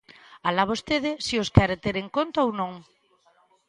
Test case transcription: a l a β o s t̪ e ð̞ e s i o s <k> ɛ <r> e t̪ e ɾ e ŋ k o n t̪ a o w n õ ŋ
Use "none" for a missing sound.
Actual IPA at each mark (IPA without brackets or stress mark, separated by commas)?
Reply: k, ɾ